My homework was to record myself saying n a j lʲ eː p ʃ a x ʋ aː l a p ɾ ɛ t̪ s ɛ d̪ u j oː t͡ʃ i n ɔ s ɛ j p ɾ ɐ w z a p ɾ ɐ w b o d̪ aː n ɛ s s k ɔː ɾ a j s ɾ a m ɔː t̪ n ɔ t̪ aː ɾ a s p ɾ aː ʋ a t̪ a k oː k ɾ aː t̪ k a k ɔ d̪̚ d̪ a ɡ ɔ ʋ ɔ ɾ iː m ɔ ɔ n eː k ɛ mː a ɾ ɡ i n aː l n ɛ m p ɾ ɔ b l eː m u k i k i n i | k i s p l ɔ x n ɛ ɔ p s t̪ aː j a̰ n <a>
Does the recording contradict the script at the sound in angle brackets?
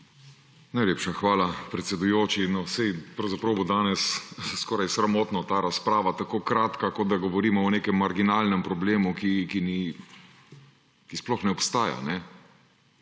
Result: yes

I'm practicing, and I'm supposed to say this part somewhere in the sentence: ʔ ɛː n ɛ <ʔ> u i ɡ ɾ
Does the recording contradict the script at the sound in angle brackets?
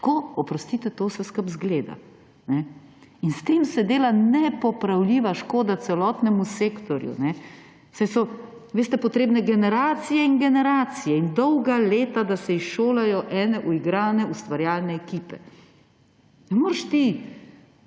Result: no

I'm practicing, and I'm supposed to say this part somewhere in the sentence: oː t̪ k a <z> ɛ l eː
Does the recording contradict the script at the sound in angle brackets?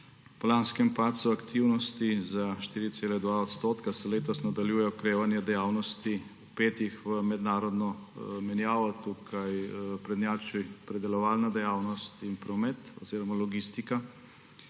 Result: yes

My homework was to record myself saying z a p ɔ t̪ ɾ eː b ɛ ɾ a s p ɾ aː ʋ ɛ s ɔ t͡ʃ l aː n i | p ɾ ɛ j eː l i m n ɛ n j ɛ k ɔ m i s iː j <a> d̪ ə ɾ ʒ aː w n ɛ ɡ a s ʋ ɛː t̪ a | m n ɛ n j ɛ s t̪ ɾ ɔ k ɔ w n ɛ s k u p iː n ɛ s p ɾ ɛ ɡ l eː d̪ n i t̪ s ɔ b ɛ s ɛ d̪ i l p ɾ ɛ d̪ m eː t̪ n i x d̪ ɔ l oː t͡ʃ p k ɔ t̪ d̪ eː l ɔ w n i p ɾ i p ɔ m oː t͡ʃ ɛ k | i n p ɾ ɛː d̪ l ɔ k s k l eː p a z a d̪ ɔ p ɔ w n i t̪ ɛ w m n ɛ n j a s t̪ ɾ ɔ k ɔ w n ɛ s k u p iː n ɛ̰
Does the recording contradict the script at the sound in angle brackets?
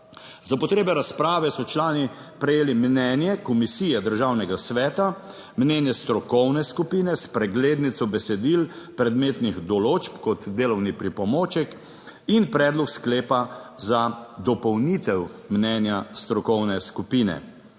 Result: yes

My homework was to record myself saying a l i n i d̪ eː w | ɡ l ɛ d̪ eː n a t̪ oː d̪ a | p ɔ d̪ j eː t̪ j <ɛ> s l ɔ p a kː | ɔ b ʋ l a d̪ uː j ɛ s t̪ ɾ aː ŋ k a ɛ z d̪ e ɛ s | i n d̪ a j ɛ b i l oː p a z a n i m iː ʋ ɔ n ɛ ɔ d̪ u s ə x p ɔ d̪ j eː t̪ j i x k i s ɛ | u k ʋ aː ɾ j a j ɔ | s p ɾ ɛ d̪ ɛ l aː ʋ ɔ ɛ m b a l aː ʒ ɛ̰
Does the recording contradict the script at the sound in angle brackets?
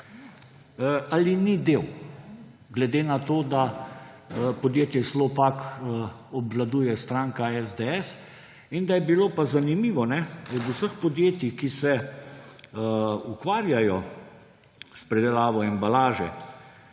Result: no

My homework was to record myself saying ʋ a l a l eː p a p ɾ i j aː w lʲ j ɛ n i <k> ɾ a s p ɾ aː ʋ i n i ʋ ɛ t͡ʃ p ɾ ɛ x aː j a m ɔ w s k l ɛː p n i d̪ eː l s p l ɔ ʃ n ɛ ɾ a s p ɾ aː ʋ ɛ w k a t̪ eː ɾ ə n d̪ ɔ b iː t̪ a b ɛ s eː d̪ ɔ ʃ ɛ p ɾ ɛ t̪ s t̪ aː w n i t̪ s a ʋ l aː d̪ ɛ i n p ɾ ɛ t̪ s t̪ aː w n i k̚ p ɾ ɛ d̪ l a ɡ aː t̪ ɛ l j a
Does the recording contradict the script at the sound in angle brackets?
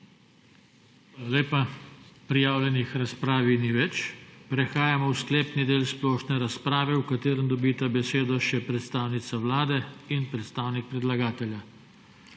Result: yes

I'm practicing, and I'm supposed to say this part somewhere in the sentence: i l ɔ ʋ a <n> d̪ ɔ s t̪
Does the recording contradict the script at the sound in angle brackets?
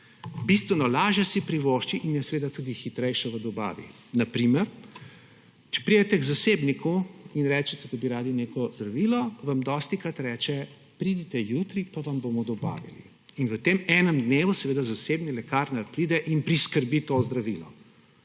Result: yes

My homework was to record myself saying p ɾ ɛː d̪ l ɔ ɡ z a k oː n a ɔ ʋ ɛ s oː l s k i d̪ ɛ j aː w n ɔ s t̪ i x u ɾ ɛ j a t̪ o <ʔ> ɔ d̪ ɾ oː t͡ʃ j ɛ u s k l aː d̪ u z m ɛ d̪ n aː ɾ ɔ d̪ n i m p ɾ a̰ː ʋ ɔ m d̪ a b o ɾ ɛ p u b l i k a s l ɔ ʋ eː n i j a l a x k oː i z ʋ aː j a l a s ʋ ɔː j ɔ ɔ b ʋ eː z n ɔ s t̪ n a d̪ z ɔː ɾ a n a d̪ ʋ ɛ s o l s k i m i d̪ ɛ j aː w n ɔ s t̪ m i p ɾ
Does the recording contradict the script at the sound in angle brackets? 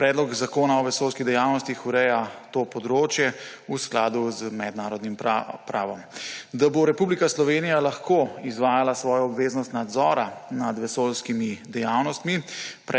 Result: yes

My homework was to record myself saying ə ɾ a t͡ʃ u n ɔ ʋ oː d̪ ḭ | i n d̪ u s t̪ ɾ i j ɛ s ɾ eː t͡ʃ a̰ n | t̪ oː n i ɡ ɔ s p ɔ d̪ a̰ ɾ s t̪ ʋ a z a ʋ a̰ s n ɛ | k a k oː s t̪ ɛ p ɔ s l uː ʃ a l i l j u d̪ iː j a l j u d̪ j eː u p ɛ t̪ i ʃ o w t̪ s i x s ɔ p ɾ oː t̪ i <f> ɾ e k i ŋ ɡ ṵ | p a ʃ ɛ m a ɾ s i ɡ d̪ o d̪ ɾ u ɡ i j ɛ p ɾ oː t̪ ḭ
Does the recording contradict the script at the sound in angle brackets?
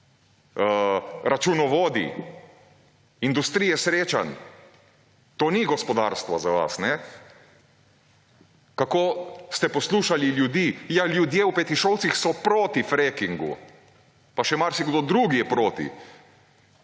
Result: no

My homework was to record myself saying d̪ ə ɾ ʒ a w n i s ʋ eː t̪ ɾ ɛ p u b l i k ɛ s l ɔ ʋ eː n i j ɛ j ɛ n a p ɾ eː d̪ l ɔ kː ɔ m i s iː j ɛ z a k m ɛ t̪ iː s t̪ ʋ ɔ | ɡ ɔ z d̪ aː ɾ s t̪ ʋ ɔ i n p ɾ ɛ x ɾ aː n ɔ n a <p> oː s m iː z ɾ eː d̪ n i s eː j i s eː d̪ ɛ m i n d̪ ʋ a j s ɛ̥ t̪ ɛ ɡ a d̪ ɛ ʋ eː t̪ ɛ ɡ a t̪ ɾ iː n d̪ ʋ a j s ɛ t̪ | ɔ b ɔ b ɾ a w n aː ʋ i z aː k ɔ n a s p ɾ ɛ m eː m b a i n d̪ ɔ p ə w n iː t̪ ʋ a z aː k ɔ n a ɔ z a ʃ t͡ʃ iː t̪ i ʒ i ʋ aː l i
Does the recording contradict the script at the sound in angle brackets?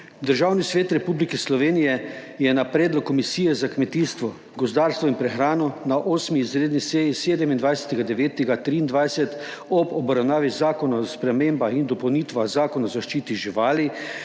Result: yes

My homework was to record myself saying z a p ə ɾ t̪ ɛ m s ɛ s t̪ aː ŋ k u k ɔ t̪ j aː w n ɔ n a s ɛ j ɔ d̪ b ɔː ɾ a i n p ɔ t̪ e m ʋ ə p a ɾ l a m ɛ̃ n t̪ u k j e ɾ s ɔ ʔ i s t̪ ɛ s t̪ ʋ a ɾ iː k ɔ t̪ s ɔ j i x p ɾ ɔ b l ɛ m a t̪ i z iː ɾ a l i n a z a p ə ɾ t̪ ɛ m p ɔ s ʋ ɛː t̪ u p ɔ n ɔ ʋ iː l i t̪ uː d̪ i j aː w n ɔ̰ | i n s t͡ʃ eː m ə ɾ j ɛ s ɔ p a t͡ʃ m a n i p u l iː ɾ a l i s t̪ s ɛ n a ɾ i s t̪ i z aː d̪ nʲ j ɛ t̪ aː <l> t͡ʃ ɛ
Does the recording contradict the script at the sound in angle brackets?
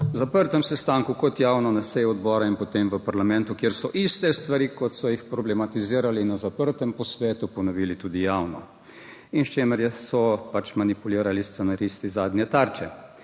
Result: yes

